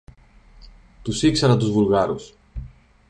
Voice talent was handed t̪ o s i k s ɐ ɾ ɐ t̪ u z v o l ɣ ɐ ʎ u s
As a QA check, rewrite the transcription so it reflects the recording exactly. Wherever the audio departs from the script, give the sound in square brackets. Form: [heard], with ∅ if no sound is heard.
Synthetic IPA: t̪ [u] s i k s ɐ ɾ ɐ t̪ u z v [u] l ɣ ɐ [ɾ] u s

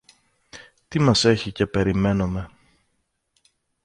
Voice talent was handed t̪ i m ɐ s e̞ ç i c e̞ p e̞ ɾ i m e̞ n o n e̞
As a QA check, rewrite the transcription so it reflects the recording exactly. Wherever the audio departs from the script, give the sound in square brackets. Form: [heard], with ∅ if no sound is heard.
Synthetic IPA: t̪ i m ɐ s e̞ ç i c e̞ p e̞ ɾ i m e̞ n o [m] e̞

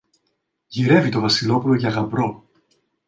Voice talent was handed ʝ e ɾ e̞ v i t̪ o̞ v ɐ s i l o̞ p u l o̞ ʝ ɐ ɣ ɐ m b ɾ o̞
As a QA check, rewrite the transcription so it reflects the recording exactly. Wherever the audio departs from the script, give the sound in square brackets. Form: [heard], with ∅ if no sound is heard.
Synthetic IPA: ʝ [i] ɾ e̞ v i t̪ o̞ v ɐ s i l o̞ p u l o̞ ʝ ɐ ɣ ɐ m b ɾ o̞

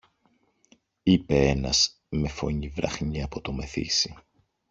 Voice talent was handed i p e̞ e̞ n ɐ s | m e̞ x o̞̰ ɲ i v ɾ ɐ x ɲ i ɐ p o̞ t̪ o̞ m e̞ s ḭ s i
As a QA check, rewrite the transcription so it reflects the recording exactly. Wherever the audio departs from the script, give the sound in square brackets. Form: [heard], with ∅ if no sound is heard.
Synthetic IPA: i p e̞ e̞ n ɐ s | m e̞ [f] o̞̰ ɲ i v ɾ ɐ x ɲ i ɐ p o̞ t̪ o̞ m e̞ [θ] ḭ s i

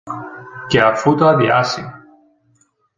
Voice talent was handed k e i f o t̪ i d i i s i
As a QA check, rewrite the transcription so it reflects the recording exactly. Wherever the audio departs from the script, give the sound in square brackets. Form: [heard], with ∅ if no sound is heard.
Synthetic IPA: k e [a] f [u] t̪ [a] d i [a] s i

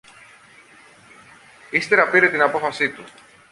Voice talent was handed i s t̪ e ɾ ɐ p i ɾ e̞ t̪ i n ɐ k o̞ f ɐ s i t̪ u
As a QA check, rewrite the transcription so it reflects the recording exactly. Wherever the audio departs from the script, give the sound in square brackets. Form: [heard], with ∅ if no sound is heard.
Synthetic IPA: i s t̪ e ɾ ɐ p i ɾ e̞ t̪ i n ɐ [p] o̞ f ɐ s i t̪ u

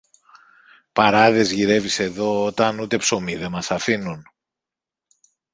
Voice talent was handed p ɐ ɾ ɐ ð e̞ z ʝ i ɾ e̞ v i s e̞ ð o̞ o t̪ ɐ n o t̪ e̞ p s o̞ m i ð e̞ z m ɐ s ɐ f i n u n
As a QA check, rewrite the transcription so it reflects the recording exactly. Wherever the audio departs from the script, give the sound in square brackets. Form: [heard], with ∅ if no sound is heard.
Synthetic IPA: p ɐ ɾ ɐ ð e̞ z ʝ i ɾ e̞ v i s e̞ ð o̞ o t̪ ɐ n [u] t̪ e̞ p s o̞ m i ð e̞ [∅] m ɐ s ɐ f i n u n

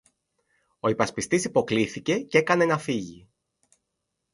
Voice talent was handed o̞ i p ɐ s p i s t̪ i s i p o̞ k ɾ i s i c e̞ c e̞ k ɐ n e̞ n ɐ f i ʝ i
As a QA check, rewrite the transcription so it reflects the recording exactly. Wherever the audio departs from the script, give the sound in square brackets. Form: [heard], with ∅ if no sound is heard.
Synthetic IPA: o̞ i p ɐ s p i s t̪ i s i p o̞ k [l] i [θ] i c e̞ c e̞ k ɐ n e̞ n ɐ f i ʝ i

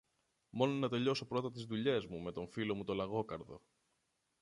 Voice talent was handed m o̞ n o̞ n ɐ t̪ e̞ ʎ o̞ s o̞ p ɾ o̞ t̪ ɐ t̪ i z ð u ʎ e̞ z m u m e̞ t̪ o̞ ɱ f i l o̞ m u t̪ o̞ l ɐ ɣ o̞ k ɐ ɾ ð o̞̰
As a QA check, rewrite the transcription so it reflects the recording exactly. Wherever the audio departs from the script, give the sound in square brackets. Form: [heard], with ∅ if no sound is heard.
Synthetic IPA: m o̞ n o̞ n ɐ t̪ e̞ ʎ o̞ s o̞ p ɾ o̞ t̪ ɐ t̪ i z ð u ʎ e̞ z m u m e̞ t̪ o̞ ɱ f i l o̞ m u t̪ o̞ l ɐ ɣ o̞ k ɐ ɾ ð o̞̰

